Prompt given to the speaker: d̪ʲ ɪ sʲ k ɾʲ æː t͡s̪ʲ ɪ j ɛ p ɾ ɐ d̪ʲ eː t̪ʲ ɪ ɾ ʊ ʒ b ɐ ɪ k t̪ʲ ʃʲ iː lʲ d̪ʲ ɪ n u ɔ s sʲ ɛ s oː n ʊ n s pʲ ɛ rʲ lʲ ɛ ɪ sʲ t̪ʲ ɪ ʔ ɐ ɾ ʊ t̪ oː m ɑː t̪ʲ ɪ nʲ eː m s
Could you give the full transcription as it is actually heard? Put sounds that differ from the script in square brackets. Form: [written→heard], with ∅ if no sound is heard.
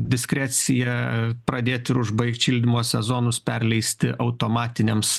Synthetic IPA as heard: d̪ʲ ɪ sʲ k ɾʲ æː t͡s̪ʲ ɪ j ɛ p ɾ ɐ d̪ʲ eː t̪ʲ ɪ ɾ ʊ ʒ b ɐ ɪ k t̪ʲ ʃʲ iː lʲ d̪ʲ ɪ [n→m] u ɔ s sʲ ɛ [s→z] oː n ʊ [n→∅] s pʲ ɛ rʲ lʲ ɛ ɪ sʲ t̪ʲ ɪ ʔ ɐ [ɾ→∅] ʊ t̪ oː m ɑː t̪ʲ ɪ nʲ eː m s